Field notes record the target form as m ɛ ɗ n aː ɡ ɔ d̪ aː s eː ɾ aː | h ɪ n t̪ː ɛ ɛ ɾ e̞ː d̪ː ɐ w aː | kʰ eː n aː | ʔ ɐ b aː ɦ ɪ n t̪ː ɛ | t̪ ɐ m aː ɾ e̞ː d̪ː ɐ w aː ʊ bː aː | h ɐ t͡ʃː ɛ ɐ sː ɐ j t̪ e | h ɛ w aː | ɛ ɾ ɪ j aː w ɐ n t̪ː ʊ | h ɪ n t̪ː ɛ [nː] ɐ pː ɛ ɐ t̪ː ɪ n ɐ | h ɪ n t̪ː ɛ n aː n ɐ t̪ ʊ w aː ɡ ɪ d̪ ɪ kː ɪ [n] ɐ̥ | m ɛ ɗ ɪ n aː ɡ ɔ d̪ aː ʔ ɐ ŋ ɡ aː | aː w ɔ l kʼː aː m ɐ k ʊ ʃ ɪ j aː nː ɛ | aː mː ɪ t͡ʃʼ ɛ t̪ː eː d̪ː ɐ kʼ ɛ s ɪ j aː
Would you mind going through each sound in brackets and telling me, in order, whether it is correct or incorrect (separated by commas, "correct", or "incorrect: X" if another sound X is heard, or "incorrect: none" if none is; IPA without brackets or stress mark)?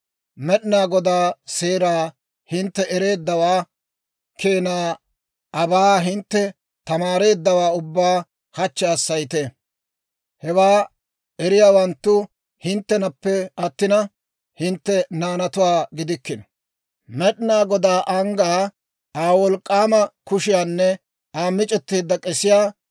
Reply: incorrect: n, correct